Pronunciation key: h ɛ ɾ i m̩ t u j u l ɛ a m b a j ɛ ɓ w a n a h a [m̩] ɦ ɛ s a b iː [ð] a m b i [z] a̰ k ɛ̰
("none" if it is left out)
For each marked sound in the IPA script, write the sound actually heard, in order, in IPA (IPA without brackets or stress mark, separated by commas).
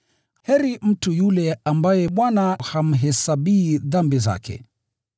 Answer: m̩, ð, z